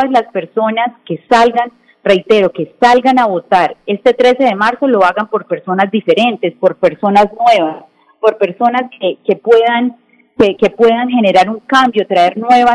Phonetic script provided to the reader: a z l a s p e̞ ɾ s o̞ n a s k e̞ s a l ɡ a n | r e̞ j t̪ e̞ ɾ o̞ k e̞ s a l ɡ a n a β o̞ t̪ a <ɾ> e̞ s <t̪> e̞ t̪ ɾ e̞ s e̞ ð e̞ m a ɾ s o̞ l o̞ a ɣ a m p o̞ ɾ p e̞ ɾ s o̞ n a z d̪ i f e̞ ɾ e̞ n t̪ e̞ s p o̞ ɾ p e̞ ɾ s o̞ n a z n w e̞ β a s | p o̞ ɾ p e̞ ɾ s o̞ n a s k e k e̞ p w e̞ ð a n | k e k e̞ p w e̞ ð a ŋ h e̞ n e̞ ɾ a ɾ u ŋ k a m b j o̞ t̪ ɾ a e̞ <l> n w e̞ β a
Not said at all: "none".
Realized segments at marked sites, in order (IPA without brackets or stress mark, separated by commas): ɾ, t̪, ɾ